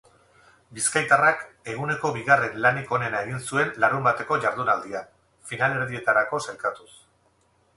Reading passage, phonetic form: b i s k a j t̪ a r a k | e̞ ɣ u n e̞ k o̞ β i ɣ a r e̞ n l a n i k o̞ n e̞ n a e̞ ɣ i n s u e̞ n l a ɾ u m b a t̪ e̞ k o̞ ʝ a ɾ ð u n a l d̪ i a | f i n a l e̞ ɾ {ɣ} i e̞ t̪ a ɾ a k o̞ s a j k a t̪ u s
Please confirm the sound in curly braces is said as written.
no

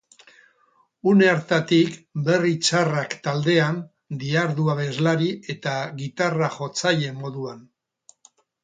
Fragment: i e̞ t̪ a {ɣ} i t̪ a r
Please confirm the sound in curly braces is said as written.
yes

